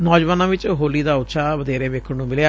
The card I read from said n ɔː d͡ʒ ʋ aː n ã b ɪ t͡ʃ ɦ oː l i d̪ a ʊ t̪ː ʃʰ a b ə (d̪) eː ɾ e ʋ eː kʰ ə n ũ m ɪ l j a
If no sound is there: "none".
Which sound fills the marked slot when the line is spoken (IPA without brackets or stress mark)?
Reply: d̪